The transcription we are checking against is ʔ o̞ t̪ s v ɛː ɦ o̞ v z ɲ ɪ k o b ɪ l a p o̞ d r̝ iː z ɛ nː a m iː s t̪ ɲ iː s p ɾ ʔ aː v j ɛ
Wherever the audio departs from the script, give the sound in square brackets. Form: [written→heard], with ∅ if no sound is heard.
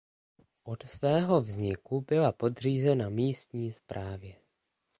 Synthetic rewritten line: ʔ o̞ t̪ s v ɛː ɦ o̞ v z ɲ ɪ k [o→u] b ɪ l a p o̞ d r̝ iː z ɛ [nː→n] a m iː s t̪ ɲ iː s p ɾ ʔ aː v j ɛ